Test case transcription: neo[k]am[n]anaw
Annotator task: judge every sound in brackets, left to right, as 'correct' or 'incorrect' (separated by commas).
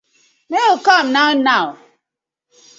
correct, correct